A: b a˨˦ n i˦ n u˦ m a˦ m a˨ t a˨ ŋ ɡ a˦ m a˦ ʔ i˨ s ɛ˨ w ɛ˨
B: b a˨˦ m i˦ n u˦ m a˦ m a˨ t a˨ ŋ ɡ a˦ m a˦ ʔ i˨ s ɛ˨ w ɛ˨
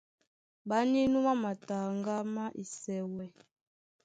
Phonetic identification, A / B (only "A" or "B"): A